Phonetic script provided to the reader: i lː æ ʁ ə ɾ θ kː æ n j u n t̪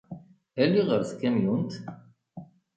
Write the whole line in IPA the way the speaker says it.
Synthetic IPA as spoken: æ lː i ʁ ə ɾ θ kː æ m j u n t̪